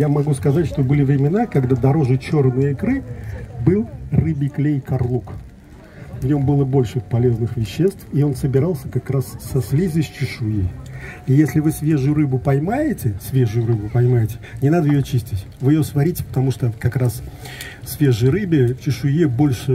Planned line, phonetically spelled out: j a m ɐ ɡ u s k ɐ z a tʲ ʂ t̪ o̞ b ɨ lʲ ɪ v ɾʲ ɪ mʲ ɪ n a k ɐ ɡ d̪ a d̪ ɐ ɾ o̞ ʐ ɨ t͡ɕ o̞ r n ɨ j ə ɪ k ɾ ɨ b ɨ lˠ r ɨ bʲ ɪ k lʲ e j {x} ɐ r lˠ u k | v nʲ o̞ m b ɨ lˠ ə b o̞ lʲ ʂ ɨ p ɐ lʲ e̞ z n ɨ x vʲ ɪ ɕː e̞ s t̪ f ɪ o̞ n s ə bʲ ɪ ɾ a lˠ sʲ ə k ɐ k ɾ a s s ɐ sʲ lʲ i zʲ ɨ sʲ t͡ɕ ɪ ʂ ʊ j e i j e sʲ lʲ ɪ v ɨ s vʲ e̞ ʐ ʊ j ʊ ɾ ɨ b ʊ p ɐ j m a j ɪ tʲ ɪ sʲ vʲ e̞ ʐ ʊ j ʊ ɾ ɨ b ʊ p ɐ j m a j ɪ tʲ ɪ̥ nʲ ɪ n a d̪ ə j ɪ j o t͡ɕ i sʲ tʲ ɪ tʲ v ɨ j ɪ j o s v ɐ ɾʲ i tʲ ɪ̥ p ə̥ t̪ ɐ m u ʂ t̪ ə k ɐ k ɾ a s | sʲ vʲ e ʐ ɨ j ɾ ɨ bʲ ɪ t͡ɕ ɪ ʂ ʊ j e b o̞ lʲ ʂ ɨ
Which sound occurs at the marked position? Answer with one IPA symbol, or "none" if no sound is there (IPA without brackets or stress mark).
k